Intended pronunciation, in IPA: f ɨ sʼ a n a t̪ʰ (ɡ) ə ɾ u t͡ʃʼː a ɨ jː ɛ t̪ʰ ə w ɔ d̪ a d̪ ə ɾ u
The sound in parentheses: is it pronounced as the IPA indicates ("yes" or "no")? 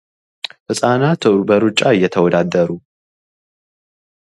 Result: no